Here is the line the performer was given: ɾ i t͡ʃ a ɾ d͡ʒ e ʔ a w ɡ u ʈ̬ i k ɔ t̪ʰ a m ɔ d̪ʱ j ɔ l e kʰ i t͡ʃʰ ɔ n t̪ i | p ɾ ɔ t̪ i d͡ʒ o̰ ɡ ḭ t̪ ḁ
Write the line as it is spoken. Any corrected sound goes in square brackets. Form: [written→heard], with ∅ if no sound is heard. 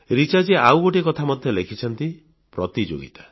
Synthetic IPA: ɾ i t͡ʃ a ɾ d͡ʒ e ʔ a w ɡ [u→o] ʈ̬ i k ɔ t̪ʰ a m ɔ d̪ʱ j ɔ l e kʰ i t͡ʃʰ ɔ n t̪ i | p ɾ ɔ t̪ i d͡ʒ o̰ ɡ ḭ t̪ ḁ